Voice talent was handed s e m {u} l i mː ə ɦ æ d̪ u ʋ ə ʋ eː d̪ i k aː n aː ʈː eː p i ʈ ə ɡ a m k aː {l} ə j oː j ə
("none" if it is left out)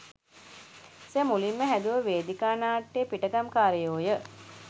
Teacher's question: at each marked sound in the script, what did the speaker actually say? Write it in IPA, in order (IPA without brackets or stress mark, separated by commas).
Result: u, ɾ